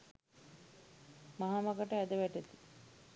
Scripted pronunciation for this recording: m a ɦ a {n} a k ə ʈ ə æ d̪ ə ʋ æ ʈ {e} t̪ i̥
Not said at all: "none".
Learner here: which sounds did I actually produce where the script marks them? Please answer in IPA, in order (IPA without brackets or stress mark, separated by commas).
m, e